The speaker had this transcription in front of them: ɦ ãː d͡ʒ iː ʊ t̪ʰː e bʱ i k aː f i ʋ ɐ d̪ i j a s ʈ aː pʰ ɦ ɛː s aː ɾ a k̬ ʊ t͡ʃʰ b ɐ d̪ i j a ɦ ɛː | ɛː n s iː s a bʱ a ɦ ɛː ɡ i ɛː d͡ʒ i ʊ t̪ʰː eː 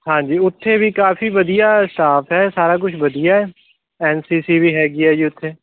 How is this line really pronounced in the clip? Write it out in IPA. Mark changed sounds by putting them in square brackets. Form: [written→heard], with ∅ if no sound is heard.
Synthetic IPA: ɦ ãː d͡ʒ iː ʊ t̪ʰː e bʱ i k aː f i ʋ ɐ d̪ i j a s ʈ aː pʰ ɦ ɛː s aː ɾ a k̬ ʊ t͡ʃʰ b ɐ d̪ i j a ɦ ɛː | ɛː n s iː s [a→i] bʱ [a→i] ɦ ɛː ɡ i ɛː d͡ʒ i ʊ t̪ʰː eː